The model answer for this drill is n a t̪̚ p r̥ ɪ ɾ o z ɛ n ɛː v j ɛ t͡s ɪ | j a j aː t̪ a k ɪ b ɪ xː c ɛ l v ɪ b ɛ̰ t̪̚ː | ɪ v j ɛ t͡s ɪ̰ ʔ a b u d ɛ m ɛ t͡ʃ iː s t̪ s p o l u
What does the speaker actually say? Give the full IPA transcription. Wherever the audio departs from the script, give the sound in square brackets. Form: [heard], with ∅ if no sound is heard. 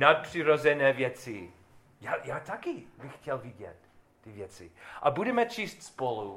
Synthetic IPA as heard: n a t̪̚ p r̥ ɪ ɾ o z ɛ n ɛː v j ɛ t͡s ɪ | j a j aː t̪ a k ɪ b ɪ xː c ɛ l v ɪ [ɟ] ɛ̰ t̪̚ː | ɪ v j ɛ t͡s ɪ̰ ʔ a b u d ɛ m ɛ t͡ʃ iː s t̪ s p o l u